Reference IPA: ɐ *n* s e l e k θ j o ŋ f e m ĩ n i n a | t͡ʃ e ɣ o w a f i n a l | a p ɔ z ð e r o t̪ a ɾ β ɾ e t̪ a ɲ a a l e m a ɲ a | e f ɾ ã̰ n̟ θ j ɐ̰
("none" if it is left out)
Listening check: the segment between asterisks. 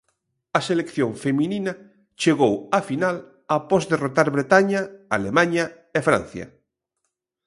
none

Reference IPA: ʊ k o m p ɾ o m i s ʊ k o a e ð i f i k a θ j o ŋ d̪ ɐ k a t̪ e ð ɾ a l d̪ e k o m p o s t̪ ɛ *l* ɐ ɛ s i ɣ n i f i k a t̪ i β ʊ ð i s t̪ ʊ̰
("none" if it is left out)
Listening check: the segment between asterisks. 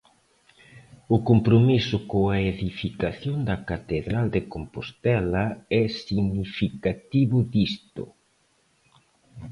l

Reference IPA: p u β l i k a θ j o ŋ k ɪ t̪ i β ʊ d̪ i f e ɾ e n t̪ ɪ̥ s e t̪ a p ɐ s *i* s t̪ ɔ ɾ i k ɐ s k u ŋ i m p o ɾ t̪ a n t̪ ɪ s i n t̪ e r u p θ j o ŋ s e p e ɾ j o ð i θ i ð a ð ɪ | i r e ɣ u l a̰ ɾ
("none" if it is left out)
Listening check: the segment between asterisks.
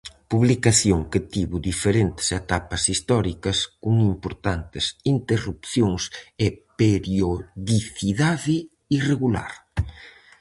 i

